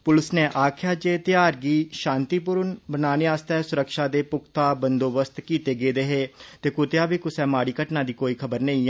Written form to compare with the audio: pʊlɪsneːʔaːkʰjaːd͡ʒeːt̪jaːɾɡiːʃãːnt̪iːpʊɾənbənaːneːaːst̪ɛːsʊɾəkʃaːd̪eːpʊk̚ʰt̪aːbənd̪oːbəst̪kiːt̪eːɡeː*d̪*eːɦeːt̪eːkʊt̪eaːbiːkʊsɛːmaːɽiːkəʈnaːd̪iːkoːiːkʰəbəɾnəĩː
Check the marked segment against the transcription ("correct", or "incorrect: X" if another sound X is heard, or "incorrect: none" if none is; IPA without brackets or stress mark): correct